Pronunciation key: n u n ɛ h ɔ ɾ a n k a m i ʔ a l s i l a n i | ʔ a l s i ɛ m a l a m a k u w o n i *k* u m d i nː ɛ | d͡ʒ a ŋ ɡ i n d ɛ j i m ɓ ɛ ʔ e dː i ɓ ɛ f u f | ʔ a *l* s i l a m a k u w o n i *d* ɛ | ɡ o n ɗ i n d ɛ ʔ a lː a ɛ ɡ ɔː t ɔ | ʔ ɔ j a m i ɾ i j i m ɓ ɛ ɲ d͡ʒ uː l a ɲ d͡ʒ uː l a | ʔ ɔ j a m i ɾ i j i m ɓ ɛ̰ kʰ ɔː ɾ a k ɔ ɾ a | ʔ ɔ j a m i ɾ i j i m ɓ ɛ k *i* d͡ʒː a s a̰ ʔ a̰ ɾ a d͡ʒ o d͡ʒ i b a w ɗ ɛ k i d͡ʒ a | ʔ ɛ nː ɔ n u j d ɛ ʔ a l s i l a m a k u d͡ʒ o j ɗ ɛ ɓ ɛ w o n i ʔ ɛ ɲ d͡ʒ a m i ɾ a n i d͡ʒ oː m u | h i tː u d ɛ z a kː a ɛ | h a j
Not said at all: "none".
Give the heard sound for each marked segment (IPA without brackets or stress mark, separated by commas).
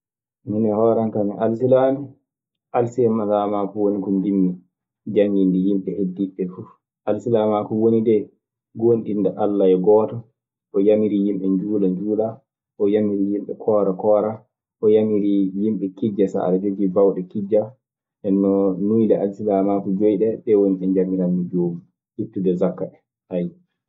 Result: k, l, d, i